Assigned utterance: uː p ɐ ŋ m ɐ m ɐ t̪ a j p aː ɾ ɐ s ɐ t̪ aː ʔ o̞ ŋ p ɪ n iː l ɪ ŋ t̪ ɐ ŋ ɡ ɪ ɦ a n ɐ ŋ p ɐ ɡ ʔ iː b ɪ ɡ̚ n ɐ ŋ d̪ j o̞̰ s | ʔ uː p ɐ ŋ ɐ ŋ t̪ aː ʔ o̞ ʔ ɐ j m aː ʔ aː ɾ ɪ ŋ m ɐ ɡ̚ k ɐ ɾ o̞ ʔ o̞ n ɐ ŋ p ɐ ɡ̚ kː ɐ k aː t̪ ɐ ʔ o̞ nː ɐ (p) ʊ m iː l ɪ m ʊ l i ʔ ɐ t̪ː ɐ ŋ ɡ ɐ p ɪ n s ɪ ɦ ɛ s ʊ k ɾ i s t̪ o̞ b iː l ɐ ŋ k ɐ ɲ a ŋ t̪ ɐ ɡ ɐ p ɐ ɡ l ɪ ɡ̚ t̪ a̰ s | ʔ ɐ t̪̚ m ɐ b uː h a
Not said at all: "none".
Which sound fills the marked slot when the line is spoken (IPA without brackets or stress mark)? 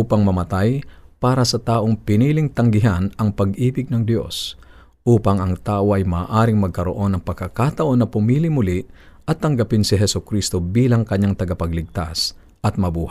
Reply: p